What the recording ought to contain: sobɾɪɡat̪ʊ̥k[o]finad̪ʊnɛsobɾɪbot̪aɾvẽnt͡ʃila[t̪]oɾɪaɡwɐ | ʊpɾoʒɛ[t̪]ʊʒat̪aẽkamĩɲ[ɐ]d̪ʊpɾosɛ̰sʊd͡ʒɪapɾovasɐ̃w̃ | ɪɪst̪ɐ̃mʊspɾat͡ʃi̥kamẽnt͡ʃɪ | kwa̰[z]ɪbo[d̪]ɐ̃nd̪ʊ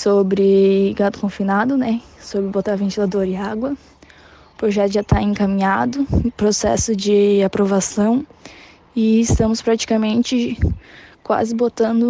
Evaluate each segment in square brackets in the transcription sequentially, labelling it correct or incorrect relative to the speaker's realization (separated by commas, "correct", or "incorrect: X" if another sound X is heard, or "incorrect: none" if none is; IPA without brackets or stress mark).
incorrect: õ, incorrect: d̪, correct, incorrect: a, correct, incorrect: t̪